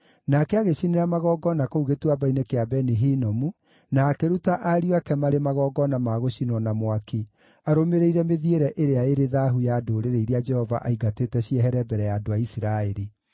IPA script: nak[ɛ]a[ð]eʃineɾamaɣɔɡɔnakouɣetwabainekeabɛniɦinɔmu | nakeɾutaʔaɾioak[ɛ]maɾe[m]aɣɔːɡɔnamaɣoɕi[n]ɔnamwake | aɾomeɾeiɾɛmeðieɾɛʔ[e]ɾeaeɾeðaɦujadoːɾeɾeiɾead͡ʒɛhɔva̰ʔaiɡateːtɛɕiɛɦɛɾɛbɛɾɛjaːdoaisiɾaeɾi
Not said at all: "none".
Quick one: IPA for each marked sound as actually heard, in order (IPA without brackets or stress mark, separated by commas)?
ɛ, ɣ, ɛ, m, n, e